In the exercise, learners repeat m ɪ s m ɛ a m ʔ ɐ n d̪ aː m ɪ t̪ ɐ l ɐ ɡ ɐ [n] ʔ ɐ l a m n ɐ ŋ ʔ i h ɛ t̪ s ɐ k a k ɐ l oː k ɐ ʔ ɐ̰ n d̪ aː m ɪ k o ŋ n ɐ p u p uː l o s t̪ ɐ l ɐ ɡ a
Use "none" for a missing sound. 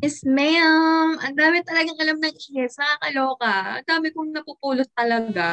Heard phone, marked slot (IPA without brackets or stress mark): ŋ